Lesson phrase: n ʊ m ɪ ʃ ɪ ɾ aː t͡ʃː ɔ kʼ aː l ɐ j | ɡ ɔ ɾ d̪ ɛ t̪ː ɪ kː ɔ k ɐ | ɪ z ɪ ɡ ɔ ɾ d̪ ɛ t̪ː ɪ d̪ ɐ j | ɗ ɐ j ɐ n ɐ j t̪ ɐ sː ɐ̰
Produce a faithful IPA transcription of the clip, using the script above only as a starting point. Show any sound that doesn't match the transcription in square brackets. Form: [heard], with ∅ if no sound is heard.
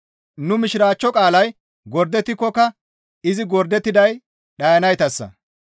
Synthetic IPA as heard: n ʊ m ɪ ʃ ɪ ɾ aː t͡ʃː ɔ kʼ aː l ɐ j | ɡ ɔ ɾ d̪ ɛ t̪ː ɪ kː ɔ k ɐ | ɪ z ɪ ɡ ɔ ɾ d̪ ɛ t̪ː ɪ d̪ ɐ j | ɗ ɐ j ɐ n ɐ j t̪ ɐ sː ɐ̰